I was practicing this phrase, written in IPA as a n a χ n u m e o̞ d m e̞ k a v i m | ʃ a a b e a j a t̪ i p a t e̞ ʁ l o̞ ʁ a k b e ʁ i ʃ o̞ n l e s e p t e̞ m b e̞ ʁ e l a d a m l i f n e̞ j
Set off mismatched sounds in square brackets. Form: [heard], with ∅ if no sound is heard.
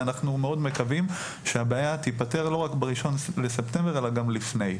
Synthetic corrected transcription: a n a χ n u m e o̞ d m e̞ k a v i m | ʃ [e] a b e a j a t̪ i p a t e̞ ʁ l o̞ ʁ a k b e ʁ i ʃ o̞ n l e s e p t e̞ m b e̞ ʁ e l a [ɡ] a m l i f n e̞ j